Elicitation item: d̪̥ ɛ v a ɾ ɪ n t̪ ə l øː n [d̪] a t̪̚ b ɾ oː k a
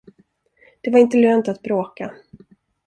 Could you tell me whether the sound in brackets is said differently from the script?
yes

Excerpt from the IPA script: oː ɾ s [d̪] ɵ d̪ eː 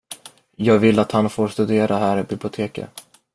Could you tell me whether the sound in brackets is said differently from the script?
yes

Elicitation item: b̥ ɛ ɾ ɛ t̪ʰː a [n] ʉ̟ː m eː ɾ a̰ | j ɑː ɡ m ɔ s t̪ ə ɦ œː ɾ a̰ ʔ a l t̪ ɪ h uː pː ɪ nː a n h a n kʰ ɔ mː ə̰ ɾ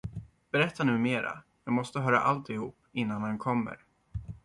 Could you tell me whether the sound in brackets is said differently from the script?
no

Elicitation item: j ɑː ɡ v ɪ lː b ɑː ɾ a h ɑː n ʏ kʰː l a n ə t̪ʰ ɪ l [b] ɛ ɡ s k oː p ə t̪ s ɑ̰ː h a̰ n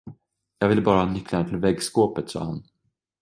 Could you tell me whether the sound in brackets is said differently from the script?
yes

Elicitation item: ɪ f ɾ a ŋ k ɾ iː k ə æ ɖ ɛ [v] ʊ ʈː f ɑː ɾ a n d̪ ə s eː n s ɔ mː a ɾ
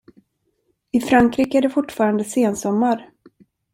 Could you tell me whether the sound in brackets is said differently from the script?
yes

